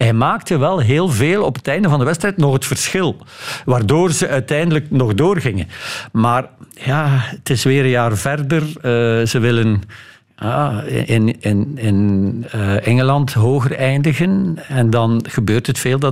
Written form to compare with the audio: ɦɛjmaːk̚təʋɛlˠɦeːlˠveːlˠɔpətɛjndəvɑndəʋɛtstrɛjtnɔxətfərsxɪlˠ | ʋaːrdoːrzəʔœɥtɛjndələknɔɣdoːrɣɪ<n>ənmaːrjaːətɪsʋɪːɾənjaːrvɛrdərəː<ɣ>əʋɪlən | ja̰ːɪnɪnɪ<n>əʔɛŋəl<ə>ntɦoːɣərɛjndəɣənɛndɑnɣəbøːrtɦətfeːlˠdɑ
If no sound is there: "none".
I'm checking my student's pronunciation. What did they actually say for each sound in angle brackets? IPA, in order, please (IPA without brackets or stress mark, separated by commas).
ŋ, z, n, ɑ